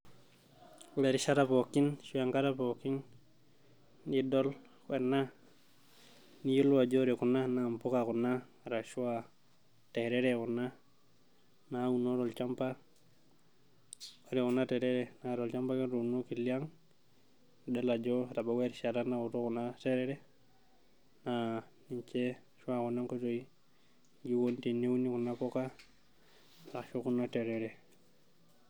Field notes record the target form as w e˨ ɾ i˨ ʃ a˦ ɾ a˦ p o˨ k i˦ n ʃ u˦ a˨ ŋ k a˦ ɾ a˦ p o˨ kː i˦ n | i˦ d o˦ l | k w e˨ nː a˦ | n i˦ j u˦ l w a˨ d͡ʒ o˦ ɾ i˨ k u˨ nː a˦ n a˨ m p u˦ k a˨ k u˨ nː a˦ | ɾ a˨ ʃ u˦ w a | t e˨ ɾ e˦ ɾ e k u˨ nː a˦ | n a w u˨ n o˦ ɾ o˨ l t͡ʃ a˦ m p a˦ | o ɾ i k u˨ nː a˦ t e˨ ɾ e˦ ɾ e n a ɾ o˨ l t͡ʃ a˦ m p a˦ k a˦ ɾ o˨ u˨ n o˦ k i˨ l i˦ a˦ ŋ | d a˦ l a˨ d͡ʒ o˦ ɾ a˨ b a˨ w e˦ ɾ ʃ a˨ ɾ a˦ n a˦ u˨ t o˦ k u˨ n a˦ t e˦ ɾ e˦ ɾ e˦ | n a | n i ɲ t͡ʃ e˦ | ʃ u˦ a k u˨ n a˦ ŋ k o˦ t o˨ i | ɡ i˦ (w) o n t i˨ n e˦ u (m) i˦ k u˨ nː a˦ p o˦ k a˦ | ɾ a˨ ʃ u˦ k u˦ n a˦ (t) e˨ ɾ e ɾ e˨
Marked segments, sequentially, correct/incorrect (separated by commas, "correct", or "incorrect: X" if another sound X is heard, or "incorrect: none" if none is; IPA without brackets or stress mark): correct, incorrect: n, correct